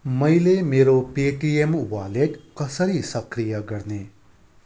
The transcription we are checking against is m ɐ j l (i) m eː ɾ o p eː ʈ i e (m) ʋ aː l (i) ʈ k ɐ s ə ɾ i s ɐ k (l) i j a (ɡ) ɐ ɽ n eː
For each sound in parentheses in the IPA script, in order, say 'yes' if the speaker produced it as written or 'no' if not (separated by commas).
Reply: no, yes, no, no, yes